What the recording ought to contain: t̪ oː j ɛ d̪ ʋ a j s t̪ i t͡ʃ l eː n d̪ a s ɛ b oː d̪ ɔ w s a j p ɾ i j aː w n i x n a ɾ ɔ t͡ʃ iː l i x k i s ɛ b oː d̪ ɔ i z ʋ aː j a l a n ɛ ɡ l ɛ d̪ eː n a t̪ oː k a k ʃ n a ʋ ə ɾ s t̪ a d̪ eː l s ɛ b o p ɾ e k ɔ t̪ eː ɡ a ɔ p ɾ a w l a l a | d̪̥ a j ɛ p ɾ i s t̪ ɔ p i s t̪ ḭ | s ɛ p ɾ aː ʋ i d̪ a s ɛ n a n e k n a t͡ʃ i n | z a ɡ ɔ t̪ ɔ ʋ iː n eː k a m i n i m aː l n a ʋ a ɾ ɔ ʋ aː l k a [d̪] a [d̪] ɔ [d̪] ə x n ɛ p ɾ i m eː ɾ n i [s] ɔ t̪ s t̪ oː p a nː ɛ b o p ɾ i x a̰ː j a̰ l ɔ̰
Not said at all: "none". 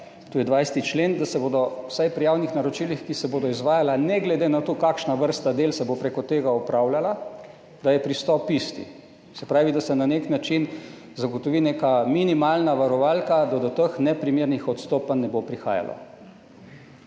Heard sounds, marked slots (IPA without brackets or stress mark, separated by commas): d̪, d̪, t̪, x